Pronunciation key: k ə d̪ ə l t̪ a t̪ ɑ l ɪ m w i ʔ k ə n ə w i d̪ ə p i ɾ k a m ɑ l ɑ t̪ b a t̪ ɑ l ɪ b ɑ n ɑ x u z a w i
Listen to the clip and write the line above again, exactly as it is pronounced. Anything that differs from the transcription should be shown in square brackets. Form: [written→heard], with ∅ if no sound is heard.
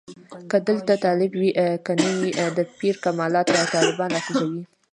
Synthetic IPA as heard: k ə d̪ ə l t̪ a t̪ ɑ l ɪ [m→b] w i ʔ k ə n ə w i d̪ ə p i ɾ k a m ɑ l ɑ t̪ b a t̪ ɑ l ɪ b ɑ n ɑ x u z a w i